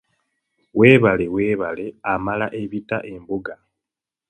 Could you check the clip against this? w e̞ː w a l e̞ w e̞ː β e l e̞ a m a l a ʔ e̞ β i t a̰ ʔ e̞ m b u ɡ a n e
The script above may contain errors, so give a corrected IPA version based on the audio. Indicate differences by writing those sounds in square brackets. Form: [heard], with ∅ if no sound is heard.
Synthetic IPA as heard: w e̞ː [β] a l e̞ w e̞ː β [a] l e̞ a m a l a ʔ e̞ β i t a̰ ʔ e̞ m b u ɡ a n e